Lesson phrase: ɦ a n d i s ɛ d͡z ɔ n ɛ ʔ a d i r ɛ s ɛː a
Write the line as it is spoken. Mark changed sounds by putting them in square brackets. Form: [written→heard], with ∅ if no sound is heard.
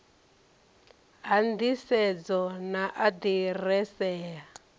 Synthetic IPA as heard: ɦ a n d i s ɛ d͡z ɔ n [ɛ→a] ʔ a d i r ɛ s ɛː a